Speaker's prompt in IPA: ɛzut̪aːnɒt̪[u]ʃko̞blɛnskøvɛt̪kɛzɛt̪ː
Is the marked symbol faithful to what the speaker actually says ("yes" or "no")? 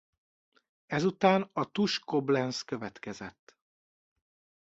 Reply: yes